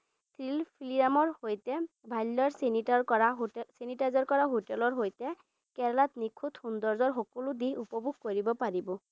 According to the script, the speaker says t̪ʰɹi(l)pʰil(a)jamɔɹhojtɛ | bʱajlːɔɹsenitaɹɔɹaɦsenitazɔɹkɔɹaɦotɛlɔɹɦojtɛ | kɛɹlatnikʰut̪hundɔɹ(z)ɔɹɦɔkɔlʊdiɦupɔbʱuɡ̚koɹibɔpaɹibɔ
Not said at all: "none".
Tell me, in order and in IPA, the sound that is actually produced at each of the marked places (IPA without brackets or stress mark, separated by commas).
l, i, z